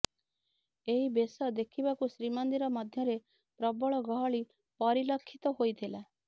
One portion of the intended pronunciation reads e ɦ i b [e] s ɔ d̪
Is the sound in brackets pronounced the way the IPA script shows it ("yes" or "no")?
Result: yes